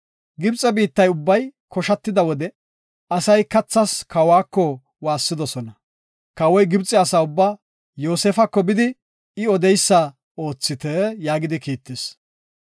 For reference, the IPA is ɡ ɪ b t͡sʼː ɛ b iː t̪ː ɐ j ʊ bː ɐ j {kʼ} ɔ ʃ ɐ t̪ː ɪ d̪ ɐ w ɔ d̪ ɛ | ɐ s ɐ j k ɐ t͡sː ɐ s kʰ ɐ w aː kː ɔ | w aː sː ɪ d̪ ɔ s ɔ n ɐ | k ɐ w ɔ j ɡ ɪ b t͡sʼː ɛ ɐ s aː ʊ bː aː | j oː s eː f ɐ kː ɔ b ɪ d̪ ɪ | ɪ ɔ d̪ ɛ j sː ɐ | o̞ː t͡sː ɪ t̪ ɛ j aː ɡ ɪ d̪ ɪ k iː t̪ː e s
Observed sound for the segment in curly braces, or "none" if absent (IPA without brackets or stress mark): k